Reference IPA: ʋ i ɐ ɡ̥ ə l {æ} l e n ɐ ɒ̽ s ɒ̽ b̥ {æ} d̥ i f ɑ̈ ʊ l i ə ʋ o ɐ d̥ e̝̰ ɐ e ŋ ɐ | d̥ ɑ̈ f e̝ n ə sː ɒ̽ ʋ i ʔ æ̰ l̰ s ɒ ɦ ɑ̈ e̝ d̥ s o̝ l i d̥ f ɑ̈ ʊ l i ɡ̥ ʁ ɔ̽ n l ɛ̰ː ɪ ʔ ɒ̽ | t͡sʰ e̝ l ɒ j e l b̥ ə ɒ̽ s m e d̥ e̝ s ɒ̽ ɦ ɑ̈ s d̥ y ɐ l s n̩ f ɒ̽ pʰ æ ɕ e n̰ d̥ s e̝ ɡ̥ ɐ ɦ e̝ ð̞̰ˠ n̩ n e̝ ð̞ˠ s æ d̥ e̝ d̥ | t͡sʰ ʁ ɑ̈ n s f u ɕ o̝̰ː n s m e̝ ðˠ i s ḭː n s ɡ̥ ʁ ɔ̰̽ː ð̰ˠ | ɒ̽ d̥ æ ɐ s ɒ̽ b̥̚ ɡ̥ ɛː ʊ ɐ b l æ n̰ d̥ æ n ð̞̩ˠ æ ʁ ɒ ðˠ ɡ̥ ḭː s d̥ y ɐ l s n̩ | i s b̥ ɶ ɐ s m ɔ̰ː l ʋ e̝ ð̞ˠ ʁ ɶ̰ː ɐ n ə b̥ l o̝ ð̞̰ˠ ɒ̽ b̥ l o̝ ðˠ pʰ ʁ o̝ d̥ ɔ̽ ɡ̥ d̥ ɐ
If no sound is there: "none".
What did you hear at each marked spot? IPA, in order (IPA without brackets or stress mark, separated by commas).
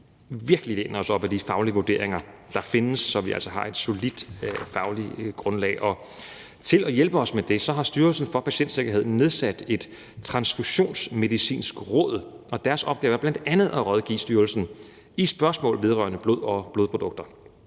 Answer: i, æ